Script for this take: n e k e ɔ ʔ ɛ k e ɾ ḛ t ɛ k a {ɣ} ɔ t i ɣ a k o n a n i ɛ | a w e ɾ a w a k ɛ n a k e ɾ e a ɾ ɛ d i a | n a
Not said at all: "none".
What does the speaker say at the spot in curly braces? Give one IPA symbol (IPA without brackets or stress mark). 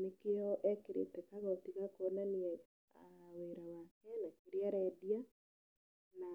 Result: ɣ